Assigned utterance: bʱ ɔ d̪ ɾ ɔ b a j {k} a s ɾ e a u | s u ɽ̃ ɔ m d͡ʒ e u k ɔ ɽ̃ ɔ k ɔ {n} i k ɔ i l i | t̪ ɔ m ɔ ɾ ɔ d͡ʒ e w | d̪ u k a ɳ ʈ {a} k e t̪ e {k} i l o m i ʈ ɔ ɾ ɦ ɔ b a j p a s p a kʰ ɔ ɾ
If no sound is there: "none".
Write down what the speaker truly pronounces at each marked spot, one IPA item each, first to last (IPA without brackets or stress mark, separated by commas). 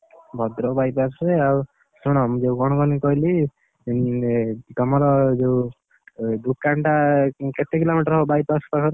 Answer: p, n, a, k